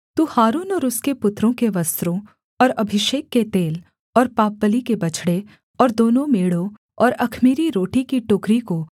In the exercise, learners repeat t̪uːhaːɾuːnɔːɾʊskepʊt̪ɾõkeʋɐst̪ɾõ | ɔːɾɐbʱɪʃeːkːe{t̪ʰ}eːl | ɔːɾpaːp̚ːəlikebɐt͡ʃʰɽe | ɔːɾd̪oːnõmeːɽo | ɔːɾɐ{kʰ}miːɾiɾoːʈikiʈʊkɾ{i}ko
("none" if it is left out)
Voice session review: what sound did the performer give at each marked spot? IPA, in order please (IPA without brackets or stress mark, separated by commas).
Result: t̪, kʰ, i